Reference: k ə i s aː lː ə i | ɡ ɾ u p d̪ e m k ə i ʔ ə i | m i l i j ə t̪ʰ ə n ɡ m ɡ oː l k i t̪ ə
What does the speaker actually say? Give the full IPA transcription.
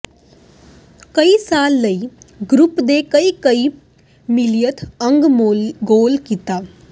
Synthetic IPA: k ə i s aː lː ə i | ɡ ɾ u p d̪ e k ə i k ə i | m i l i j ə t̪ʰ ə ŋ ɡ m ɡ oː l k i t̪ a